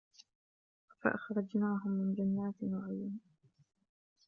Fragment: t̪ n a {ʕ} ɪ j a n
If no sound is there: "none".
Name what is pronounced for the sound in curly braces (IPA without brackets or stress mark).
ʕ